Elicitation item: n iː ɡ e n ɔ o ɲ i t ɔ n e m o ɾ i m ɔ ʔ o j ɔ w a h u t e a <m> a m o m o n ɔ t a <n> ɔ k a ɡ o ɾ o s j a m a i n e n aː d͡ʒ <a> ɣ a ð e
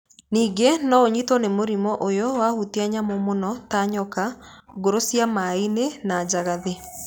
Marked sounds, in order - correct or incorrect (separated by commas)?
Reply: incorrect, incorrect, correct